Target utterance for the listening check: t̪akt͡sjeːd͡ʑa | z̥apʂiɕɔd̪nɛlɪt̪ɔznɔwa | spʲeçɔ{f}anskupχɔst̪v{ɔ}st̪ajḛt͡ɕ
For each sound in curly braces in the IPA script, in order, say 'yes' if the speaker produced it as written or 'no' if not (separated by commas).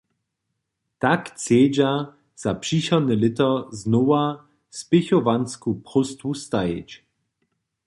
no, no